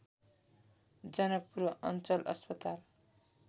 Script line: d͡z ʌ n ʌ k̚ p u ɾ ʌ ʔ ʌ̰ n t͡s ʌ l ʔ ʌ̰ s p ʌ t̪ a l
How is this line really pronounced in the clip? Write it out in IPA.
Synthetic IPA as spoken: d͡z ʌ n ʌ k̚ p u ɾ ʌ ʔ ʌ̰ n t͡s ʌ l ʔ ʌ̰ s p ʌ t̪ a l